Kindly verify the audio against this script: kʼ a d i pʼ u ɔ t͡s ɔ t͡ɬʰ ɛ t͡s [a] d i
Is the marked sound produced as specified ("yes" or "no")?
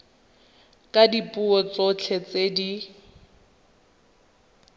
no